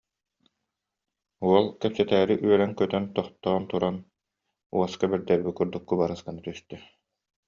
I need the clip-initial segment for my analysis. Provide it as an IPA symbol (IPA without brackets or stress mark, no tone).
u